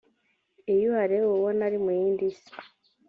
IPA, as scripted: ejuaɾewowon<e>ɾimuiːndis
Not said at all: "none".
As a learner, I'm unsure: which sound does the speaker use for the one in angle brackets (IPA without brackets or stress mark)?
a